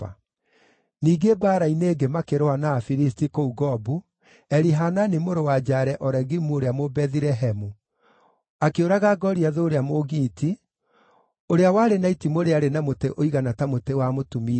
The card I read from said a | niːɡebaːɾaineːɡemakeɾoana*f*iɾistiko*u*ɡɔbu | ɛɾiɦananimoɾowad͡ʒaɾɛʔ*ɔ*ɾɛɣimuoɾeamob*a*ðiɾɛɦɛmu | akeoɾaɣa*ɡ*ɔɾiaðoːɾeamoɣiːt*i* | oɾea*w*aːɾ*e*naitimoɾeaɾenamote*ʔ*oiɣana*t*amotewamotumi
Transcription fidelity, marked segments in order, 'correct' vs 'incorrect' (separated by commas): correct, correct, correct, incorrect, correct, correct, correct, correct, correct, correct